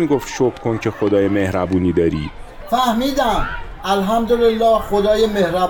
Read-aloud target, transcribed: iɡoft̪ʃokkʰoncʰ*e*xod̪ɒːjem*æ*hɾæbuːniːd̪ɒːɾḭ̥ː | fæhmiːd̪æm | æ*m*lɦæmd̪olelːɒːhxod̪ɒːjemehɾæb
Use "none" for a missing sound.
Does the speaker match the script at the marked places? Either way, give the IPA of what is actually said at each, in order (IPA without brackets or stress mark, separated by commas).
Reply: e, e, none